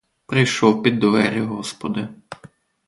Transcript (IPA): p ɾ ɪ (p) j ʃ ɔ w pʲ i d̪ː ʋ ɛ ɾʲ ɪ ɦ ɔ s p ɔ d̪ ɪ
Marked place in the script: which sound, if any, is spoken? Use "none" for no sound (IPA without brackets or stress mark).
none